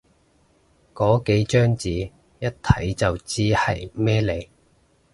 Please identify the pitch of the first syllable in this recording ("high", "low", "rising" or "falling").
rising